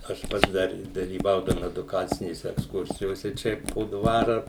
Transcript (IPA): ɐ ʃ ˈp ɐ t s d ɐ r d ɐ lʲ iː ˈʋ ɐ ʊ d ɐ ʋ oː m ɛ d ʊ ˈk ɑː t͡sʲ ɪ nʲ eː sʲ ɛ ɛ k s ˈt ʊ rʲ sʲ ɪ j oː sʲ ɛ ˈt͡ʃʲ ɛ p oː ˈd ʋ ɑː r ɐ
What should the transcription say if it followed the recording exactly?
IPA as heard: ɐ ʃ ˈp ɐ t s d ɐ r d ɐ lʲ iː ˈʋ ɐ ʊ d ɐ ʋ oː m ɛ d ʊ ˈk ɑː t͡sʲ ɪ nʲ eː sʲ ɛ ɛ k s ˈk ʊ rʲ sʲ ɪ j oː sʲ ɛ ˈt͡ʃʲ ɛ p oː ˈd ʋ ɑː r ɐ